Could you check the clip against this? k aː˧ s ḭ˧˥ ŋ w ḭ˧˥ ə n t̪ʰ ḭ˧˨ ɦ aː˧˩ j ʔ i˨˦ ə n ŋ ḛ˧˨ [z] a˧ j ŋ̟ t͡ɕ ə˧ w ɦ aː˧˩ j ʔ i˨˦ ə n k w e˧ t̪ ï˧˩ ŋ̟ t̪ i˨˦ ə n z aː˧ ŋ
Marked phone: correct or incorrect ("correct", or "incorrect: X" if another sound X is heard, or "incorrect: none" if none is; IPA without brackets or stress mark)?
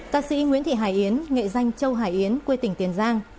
correct